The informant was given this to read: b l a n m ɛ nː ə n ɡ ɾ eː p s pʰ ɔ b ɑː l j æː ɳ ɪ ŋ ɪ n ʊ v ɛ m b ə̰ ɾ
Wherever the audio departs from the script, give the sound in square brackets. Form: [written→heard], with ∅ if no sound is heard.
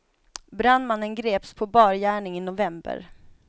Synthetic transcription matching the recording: b [l→ɾ] a n m [ɛ→a] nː ə n ɡ ɾ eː p s pʰ ɔ b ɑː [l→ɾ] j æː ɳ ɪ ŋ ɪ n ʊ v ɛ m b ə̰ ɾ